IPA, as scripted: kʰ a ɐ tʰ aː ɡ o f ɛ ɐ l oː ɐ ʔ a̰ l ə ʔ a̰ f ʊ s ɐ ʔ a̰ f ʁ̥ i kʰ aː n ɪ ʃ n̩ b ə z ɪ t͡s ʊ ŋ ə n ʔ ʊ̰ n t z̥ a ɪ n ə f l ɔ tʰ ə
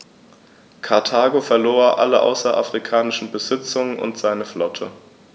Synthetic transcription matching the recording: kʰ a ɐ tʰ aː ɡ o f ɛ ɐ l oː ɐ ʔ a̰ l ə ʔ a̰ ʊ s ɐ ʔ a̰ f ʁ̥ i kʰ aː n ɪ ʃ n̩ b ə z ɪ t͡s ʊ ŋ ə n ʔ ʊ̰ n t z̥ a ɪ n ə f l ɔ tʰ ə